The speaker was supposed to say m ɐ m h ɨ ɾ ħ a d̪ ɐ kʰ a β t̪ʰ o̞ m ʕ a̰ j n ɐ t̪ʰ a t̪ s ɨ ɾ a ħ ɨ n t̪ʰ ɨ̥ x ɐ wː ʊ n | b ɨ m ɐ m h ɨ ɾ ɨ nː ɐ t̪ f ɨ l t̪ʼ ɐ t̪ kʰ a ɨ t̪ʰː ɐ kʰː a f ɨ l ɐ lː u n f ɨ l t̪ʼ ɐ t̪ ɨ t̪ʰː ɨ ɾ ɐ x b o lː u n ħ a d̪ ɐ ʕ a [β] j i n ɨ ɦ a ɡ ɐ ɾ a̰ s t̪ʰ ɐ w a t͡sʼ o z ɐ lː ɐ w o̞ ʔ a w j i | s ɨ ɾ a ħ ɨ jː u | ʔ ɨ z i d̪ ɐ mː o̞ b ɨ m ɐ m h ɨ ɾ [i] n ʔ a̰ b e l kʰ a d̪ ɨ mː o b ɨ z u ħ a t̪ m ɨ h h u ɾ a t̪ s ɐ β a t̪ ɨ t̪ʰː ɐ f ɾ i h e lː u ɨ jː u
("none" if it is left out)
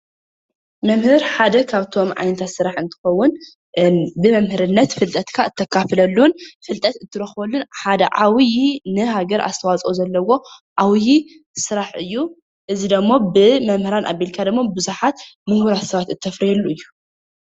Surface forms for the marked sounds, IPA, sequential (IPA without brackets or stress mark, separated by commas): w, a